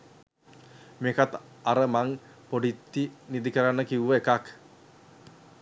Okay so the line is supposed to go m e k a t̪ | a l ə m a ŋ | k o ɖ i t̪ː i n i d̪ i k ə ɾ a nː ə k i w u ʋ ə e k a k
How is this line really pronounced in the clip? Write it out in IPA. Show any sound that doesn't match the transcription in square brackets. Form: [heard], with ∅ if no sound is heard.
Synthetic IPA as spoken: m e k a t̪ | a [ɾ] ə m a ŋ | [p] o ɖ i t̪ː i n i d̪ i k ə ɾ a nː ə k i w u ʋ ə e k a k